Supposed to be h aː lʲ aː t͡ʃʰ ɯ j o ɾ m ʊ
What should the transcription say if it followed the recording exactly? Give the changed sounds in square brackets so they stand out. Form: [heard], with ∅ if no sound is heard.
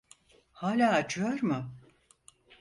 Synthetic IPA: h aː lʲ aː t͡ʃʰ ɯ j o ɾ m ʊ